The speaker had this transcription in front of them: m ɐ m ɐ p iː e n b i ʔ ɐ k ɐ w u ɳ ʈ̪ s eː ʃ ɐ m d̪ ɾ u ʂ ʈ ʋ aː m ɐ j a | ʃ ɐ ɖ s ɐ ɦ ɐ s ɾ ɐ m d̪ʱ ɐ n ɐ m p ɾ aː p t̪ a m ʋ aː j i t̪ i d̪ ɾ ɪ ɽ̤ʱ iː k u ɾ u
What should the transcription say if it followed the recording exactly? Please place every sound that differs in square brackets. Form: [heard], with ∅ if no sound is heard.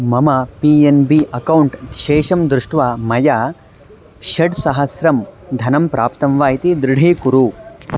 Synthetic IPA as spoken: m ɐ m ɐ p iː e n b i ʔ ɐ k ɐ w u ɳ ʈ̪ [ʃ] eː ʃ ɐ m d̪ ɾ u ʂ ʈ ʋ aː m ɐ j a | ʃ ɐ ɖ s ɐ ɦ ɐ s ɾ ɐ m d̪ʱ ɐ n ɐ m p ɾ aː p t̪ [ɐ] m ʋ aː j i t̪ i d̪ ɾ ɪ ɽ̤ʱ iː k u ɾ u